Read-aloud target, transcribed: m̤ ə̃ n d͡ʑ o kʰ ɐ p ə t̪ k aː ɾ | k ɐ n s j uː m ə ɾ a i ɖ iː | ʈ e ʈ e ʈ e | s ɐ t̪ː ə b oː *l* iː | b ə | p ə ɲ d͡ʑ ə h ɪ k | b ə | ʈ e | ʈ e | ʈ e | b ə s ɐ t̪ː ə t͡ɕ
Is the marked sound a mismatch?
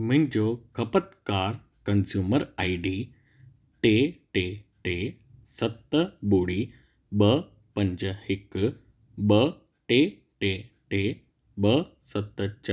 yes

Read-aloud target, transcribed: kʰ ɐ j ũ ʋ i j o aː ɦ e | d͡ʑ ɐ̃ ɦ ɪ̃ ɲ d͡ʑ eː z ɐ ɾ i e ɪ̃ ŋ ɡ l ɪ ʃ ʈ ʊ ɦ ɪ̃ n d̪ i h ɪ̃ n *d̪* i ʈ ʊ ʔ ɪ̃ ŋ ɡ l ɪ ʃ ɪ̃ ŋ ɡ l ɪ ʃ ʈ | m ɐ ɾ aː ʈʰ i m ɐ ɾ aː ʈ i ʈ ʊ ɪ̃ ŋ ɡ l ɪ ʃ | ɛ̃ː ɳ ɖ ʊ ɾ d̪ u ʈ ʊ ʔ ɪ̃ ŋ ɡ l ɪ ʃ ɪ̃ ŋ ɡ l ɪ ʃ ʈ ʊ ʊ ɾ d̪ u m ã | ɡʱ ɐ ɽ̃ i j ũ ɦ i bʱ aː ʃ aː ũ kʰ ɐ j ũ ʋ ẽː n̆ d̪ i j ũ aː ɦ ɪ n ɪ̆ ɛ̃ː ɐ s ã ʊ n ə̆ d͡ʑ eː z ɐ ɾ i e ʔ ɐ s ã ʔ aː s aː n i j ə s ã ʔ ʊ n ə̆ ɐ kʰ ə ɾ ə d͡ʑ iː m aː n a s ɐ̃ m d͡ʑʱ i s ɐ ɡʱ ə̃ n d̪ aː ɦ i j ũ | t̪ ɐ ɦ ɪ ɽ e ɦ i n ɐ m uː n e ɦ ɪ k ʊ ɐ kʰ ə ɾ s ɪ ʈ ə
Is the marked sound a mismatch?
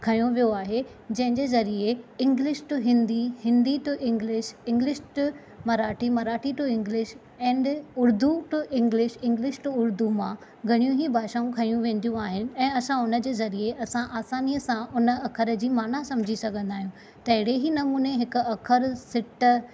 no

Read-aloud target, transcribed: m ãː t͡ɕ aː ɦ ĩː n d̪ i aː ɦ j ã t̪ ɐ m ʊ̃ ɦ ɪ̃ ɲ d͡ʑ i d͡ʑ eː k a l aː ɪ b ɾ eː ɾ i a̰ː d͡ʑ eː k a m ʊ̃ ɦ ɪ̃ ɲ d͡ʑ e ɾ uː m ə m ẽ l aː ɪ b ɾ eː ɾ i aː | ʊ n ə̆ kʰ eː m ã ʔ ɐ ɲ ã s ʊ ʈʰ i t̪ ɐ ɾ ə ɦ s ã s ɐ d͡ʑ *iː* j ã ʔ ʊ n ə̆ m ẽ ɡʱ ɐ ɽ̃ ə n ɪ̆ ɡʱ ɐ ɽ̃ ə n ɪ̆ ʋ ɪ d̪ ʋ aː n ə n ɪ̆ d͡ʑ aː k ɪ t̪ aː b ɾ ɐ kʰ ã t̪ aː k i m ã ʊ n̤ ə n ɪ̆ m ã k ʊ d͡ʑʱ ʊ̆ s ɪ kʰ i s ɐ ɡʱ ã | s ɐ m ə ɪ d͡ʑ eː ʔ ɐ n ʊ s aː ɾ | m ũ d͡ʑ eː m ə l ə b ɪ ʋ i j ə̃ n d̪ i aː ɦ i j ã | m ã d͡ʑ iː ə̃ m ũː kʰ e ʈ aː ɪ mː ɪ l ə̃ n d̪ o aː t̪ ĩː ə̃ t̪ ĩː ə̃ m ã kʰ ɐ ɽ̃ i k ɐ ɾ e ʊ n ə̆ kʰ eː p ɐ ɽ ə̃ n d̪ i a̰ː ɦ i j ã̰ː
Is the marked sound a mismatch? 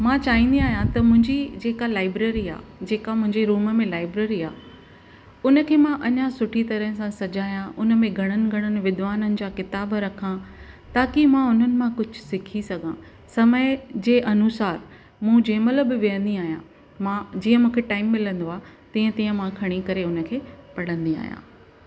yes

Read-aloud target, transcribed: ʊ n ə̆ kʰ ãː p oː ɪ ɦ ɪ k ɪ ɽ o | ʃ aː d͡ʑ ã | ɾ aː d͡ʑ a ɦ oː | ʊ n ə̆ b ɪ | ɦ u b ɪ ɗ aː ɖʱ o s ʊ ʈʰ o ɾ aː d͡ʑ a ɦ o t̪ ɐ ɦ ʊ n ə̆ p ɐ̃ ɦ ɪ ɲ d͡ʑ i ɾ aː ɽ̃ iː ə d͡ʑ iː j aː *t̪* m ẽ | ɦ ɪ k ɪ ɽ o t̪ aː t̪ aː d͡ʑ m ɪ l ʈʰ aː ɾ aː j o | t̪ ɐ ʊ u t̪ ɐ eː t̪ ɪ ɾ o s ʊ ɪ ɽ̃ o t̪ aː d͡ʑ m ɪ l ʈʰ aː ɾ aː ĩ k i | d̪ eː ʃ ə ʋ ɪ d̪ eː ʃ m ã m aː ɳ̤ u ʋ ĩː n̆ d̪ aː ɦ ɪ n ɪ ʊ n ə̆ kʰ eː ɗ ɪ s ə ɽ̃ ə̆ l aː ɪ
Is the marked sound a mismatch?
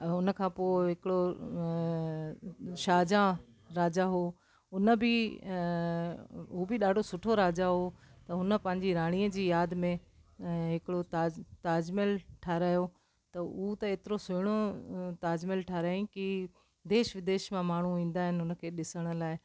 yes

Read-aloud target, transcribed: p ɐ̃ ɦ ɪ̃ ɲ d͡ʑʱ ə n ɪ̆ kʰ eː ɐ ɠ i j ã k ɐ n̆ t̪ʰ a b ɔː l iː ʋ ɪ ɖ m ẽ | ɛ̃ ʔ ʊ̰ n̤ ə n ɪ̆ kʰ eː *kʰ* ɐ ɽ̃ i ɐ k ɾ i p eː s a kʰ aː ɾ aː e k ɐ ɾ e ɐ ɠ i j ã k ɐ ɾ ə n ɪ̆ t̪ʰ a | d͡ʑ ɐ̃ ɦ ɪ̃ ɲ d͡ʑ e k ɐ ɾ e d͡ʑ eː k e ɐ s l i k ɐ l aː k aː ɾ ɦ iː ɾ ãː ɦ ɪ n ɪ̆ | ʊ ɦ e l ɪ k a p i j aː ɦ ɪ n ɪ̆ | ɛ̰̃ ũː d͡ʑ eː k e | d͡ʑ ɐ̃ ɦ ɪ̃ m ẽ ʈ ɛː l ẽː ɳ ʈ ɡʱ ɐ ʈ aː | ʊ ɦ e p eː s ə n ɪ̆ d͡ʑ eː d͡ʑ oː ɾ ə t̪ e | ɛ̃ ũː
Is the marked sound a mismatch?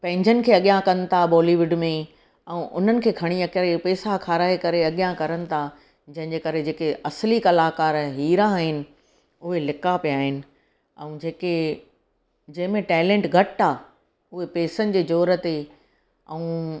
no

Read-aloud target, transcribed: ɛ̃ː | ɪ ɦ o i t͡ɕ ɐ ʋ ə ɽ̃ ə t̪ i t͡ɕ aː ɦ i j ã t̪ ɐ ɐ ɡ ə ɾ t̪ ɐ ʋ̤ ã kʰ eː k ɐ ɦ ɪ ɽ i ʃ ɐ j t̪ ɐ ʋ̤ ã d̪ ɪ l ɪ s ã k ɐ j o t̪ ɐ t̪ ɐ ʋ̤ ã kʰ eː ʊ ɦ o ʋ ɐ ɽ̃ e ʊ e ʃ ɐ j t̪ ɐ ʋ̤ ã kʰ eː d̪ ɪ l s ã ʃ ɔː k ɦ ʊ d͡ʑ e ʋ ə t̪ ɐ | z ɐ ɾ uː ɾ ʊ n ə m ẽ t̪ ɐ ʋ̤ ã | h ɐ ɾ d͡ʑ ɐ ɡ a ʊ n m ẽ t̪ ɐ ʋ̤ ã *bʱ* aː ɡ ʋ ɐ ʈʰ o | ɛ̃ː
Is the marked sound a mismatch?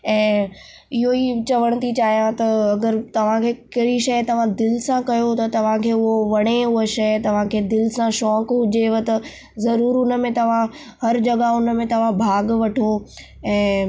no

